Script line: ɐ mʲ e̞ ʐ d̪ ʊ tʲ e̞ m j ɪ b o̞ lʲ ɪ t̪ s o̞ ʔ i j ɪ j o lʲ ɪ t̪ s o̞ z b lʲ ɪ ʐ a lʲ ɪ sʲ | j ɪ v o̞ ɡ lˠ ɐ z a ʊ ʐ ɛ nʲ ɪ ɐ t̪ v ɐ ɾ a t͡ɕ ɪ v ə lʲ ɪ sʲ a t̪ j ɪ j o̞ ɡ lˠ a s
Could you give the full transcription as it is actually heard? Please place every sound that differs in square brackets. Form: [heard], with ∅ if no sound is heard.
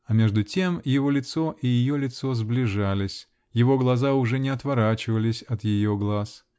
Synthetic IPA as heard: ɐ mʲ e̞ ʐ d̪ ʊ tʲ e̞ m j ɪ [v] o̞ lʲ ɪ t̪ s o̞ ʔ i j ɪ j o lʲ ɪ t̪ s o̞ z b lʲ ɪ ʐ a lʲ ɪ sʲ | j ɪ v o̞ ɡ lˠ ɐ z a ʊ ʐ ɛ nʲ ɪ ɐ t̪ v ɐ ɾ a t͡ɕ ɪ v ə lʲ ɪ sʲ [ɐ] t̪ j ɪ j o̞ ɡ lˠ a s